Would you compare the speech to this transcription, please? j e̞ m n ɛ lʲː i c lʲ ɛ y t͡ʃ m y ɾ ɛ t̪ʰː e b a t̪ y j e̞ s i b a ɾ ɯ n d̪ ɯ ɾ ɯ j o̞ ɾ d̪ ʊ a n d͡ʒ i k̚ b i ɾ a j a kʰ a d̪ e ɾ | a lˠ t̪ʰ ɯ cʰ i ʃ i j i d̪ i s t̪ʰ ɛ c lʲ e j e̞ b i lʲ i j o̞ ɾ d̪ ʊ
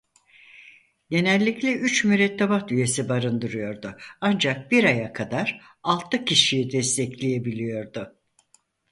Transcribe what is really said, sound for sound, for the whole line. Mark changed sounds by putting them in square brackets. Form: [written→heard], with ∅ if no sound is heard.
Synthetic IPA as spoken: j e̞ [m→∅] n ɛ lʲː i c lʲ ɛ y t͡ʃ m y ɾ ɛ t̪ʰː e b a t̪ y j e̞ s i b a ɾ ɯ n d̪ ɯ ɾ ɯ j o̞ ɾ d̪ ʊ a n d͡ʒ [i→a] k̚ b i ɾ a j a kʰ a d̪ [e→a] ɾ | a lˠ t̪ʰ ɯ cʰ i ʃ i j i d̪ [i→ɛ] s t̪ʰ ɛ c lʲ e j e̞ b i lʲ i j o̞ ɾ d̪ ʊ